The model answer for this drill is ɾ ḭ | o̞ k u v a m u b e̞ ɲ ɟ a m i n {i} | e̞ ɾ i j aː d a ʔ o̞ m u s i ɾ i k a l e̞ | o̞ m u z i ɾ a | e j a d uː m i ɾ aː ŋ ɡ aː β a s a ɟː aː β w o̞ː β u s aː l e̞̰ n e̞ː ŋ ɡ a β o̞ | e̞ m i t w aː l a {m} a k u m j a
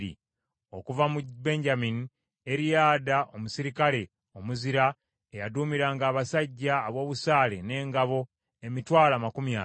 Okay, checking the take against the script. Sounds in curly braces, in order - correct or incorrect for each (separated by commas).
correct, correct